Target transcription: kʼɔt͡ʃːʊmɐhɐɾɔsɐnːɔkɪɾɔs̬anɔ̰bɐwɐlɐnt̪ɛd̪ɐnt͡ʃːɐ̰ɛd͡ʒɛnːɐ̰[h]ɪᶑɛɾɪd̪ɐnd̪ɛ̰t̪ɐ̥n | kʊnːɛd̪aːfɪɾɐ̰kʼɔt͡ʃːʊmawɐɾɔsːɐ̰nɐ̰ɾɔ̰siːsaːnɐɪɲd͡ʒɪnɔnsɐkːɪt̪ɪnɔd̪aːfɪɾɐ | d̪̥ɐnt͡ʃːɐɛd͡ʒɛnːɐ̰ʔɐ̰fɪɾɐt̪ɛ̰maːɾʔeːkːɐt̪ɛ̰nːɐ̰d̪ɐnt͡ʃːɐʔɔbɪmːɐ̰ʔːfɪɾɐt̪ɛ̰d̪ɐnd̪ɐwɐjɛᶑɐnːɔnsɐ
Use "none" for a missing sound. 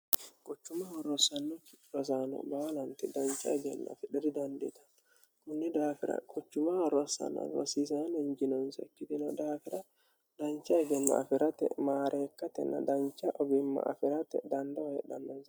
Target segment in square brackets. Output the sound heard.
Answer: f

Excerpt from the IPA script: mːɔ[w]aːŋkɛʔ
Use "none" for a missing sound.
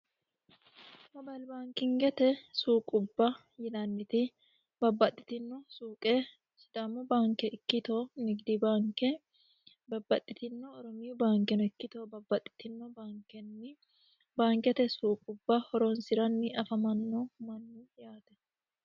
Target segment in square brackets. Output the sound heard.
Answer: b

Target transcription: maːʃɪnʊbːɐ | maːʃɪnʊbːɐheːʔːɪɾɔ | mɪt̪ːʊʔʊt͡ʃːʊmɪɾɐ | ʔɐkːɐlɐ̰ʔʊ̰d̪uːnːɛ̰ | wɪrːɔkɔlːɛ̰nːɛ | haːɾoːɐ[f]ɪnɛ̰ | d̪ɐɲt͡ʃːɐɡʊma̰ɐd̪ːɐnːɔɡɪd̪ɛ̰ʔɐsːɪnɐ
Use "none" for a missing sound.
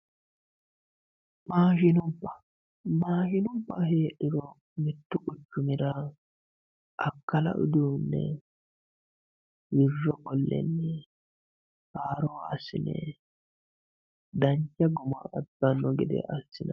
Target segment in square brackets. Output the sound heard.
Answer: s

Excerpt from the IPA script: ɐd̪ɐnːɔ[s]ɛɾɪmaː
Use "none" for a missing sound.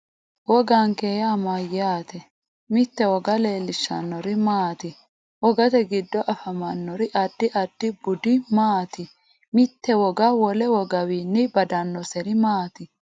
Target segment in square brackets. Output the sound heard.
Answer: s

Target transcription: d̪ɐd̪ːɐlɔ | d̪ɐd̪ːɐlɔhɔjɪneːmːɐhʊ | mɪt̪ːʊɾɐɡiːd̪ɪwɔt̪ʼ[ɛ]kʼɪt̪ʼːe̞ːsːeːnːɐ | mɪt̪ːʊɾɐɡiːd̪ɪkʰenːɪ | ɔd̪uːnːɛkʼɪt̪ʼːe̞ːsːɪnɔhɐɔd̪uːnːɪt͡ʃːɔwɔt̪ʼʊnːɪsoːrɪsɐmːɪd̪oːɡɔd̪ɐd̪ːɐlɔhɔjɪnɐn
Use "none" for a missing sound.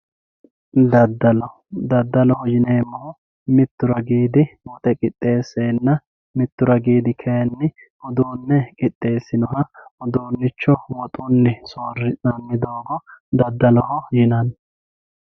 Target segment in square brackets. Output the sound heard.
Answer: ɛ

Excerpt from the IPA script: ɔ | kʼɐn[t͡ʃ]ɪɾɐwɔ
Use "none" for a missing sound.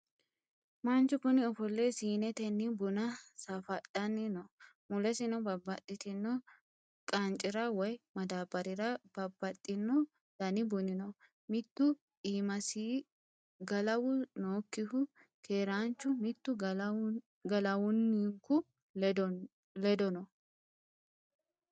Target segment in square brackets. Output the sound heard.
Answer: t͡ʃʼ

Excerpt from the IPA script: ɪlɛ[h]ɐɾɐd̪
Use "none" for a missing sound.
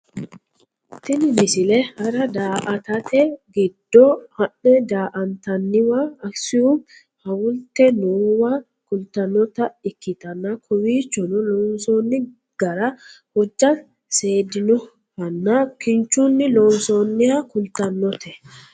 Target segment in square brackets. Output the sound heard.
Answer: h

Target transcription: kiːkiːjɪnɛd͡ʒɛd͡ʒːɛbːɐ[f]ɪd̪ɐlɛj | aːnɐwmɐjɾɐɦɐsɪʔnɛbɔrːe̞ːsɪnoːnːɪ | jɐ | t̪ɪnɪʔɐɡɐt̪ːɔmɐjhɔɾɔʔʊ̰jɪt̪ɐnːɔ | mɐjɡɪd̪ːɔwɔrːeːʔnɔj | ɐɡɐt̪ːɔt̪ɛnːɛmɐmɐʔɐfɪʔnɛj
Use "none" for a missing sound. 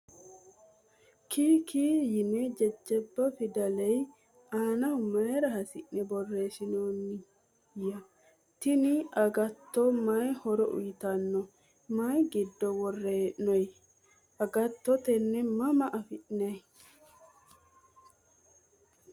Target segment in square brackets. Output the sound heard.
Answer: f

